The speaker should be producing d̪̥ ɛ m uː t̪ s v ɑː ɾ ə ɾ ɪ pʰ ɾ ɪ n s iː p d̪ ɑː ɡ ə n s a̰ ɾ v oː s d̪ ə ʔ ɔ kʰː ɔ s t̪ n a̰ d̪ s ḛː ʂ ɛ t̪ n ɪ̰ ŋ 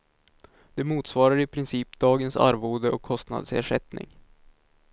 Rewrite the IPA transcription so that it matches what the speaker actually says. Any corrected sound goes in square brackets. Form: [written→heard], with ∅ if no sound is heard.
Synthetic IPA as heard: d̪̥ ɛ m uː t̪ s v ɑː ɾ [ə→a] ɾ ɪ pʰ ɾ ɪ n s iː p d̪ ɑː ɡ ə n s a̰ ɾ v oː [s→∅] d̪ ə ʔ ɔ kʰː ɔ s t̪ n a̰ d̪ s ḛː ʂ ɛ t̪ n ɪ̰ ŋ